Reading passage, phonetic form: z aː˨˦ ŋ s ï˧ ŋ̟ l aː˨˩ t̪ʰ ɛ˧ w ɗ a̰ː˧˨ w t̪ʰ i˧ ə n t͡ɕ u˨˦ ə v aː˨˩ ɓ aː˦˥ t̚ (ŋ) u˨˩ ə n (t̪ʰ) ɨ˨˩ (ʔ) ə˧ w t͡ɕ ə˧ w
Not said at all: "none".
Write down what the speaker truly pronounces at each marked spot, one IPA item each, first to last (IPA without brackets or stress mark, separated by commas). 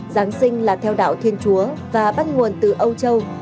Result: ŋ, t̪, ʔ